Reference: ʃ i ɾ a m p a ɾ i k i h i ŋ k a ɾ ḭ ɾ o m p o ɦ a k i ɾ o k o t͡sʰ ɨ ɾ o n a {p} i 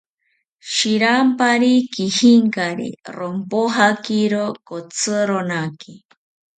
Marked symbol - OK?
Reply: no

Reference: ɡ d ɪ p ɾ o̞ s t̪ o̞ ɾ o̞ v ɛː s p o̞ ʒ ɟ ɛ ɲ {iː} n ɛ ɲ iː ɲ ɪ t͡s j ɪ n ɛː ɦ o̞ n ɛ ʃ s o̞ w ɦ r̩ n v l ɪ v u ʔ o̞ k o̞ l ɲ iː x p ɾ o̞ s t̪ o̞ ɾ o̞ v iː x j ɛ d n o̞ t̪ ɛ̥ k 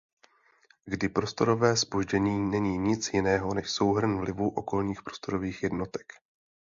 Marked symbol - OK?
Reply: yes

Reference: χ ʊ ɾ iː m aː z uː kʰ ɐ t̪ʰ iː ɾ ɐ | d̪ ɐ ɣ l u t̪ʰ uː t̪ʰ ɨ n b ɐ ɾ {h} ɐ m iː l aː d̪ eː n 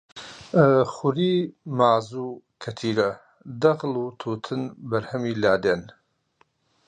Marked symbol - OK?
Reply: yes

